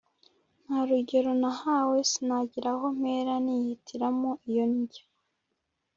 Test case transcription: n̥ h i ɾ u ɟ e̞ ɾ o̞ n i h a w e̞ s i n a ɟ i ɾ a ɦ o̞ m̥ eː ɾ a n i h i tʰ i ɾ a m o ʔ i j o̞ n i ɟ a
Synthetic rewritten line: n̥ h a ɾ u ɟ e̞ ɾ o̞ n a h a w e̞ s i n a ɟ i ɾ a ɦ o̞ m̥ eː ɾ a n i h i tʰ i ɾ a m o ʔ i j o̞ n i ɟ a